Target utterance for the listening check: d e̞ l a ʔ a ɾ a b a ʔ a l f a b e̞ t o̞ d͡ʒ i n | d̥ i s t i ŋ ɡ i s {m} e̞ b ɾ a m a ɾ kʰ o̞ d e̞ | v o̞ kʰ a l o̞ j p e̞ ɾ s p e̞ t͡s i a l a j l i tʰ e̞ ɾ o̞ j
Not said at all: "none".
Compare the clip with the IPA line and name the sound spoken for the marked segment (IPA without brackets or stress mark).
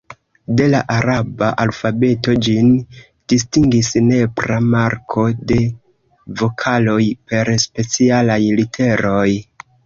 n